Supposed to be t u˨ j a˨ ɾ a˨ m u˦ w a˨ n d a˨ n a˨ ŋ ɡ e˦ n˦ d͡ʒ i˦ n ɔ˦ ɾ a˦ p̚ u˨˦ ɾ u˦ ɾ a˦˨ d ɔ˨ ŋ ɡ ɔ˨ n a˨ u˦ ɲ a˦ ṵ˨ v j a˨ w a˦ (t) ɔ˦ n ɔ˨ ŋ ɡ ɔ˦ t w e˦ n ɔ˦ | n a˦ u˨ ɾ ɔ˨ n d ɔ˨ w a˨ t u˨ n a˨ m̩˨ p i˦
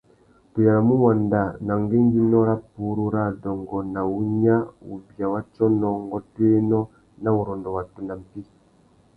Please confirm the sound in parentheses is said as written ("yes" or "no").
no